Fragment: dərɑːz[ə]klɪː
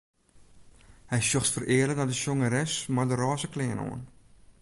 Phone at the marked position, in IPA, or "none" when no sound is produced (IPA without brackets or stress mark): ə